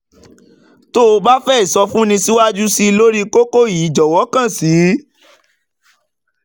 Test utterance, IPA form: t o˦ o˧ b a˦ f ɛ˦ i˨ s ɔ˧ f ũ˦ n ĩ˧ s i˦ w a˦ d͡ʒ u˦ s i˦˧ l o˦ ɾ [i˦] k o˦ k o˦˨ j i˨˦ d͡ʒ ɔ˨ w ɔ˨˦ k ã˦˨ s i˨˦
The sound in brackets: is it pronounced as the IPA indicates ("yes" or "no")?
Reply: yes